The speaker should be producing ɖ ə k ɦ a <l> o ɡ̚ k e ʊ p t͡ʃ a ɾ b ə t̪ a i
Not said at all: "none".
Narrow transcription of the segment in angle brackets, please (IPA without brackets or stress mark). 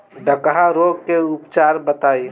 ɾ